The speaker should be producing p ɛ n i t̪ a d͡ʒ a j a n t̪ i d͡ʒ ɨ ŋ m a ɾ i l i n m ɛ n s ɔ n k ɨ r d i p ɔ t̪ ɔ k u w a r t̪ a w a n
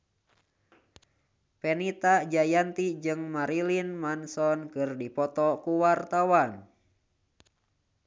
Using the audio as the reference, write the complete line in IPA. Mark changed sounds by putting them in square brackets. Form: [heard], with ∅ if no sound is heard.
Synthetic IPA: p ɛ n i t̪ a d͡ʒ a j a n t̪ i d͡ʒ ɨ ŋ m a ɾ i l i n m [a] n s ɔ n k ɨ r d i p ɔ t̪ ɔ k u w a r t̪ a w a n